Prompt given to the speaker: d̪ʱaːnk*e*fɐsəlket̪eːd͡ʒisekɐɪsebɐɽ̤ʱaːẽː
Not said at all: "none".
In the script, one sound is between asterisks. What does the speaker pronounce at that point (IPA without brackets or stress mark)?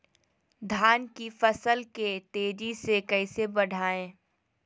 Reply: i